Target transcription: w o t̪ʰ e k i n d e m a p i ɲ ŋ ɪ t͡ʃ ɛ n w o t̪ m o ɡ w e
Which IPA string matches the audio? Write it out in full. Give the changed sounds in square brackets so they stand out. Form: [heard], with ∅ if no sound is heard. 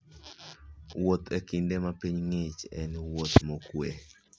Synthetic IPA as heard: w o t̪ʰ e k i n d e m a p i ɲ ŋ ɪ t͡ʃ ɛ n w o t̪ m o [k] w e